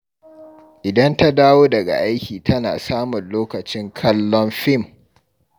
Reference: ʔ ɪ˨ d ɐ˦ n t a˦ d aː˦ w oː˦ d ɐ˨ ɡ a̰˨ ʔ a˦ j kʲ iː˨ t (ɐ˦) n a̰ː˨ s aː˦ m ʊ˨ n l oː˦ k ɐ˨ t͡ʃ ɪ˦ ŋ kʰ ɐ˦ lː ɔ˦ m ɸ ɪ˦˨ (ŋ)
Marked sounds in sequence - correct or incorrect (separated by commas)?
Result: correct, incorrect